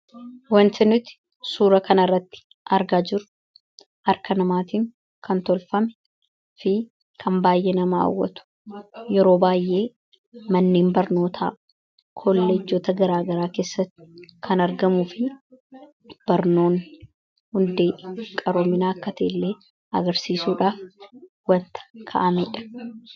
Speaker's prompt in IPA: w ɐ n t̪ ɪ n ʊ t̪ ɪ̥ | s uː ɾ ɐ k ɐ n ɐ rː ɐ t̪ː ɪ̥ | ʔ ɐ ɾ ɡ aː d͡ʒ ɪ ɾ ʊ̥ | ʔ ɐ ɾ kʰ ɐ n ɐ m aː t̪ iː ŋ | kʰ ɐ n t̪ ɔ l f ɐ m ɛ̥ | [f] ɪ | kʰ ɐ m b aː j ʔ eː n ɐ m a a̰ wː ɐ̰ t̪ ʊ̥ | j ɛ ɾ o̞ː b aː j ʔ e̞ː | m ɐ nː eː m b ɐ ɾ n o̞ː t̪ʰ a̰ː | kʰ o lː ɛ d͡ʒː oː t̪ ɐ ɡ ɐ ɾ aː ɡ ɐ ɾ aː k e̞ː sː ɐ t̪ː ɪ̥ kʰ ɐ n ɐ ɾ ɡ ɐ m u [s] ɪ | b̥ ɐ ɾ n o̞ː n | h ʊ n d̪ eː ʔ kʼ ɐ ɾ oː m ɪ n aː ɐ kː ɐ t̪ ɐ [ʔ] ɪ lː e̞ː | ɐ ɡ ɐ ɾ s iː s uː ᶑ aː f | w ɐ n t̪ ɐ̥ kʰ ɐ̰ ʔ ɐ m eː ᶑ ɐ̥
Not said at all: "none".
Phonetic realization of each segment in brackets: f, f, ʔ

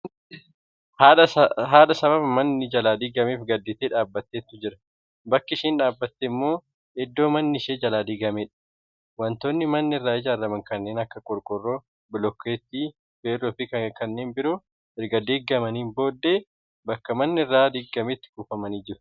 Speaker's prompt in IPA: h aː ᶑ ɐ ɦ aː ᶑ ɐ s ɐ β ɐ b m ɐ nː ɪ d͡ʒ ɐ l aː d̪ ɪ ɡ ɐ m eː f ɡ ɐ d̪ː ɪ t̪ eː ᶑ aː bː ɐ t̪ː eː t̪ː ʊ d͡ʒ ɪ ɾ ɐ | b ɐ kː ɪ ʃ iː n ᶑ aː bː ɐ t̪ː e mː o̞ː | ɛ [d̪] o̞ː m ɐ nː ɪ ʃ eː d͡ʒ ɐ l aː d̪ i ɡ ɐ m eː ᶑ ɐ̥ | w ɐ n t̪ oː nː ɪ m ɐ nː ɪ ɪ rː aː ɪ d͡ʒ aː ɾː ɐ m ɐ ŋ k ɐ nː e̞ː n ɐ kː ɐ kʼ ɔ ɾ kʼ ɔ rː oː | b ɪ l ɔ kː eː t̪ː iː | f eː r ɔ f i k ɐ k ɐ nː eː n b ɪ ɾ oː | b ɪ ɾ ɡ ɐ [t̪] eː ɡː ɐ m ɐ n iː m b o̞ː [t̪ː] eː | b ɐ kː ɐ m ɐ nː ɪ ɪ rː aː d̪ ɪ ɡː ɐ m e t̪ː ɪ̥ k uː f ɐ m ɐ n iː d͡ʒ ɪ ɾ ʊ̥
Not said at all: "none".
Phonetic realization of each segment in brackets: d̪ː, d̪, d̪ː

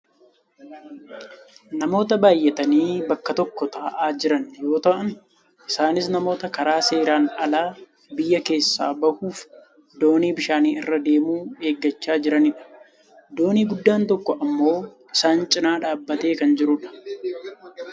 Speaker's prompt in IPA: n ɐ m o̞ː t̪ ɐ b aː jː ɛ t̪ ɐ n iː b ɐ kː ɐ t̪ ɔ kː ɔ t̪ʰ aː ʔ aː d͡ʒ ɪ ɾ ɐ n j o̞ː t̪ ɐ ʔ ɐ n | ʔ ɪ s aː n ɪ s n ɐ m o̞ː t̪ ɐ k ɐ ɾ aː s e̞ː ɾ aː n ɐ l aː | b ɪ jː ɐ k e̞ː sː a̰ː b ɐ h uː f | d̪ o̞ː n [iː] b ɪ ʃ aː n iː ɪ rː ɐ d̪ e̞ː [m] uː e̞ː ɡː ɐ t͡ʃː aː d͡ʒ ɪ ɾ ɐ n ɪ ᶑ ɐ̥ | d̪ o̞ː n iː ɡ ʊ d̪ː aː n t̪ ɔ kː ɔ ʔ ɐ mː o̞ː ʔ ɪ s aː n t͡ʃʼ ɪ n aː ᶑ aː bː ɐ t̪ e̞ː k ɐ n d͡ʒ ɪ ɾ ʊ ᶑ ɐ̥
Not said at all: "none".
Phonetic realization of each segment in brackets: iː, m

